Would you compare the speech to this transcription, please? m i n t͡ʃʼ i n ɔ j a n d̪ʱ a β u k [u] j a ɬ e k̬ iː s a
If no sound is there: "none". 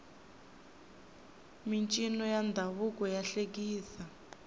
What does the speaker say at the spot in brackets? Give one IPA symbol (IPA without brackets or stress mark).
ɔ